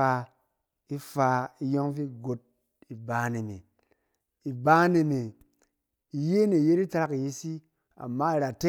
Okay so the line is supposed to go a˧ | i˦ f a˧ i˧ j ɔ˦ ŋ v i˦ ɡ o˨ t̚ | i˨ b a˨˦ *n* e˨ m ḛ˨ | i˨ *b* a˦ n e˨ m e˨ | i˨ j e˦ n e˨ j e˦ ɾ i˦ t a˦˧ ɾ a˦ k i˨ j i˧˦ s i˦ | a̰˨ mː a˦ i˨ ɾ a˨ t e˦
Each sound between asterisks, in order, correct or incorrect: correct, correct

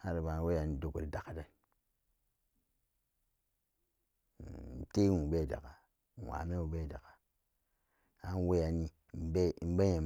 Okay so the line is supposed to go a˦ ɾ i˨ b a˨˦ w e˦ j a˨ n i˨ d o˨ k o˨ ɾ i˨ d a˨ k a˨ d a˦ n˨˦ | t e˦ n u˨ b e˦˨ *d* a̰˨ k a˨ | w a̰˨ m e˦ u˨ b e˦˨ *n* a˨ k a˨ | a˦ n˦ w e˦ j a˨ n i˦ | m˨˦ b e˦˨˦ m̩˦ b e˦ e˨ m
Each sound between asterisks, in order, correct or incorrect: correct, incorrect: d

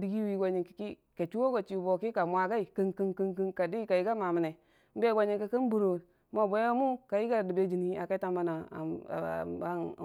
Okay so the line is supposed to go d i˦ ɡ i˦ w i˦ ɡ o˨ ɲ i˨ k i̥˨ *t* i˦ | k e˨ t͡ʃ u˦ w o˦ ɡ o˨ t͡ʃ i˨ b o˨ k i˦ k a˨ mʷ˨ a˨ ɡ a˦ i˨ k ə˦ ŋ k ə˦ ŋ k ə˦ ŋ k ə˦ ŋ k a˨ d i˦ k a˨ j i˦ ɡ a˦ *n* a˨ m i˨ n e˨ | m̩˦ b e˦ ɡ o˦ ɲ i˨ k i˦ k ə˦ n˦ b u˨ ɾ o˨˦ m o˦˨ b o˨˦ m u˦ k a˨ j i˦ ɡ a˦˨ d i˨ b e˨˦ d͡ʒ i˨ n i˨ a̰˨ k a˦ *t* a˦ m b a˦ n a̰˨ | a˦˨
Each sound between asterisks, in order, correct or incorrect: incorrect: k, incorrect: m, correct

